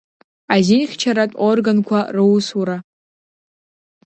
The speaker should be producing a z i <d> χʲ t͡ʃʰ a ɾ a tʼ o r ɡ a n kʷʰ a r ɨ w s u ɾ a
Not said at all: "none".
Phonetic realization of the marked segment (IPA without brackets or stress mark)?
n